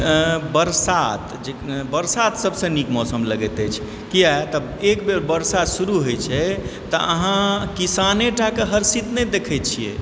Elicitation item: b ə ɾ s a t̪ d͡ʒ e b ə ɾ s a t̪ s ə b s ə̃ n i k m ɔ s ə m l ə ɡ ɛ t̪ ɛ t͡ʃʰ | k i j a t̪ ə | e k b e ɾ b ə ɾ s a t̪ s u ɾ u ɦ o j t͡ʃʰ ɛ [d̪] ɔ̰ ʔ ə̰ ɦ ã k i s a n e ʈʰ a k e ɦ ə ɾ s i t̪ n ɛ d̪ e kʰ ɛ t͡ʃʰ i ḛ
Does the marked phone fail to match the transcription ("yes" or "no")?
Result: yes